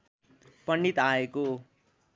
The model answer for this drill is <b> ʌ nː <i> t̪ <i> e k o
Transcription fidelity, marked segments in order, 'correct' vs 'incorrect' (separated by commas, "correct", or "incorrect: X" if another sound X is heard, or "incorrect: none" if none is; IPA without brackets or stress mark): incorrect: p, correct, incorrect: a